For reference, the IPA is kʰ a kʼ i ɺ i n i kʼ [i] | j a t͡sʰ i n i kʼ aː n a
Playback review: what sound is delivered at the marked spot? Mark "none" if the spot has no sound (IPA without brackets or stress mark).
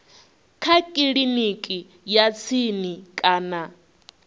i